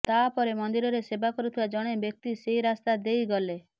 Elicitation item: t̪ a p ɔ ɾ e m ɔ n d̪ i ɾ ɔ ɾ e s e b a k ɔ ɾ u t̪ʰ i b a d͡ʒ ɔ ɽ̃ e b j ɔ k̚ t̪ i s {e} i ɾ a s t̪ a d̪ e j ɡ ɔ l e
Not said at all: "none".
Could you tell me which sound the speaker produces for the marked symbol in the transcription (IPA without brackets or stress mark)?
e